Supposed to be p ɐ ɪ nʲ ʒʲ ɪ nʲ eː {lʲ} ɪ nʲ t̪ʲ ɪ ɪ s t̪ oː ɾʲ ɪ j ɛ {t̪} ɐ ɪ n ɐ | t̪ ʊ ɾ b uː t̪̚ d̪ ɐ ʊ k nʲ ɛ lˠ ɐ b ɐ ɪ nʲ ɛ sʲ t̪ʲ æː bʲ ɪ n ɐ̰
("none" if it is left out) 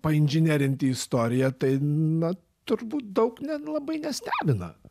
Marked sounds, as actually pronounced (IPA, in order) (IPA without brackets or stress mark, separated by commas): ɾʲ, t̪